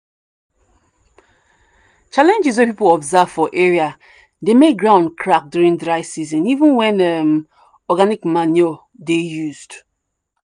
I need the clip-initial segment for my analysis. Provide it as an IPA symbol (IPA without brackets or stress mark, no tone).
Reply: t͡ʃ